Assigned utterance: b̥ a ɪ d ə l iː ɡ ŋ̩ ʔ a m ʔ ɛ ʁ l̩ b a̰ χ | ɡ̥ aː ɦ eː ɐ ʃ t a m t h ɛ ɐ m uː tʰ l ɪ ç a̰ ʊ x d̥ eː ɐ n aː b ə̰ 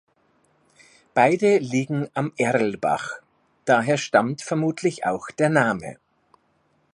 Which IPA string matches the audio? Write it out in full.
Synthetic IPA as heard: b̥ a ɪ d ə l iː ɡ ŋ̩ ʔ a m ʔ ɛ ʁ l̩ b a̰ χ | d̥ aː ɦ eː ɐ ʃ t a m t f ɛ ɐ m uː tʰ l ɪ ç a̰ ʊ x d̥ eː ɐ n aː m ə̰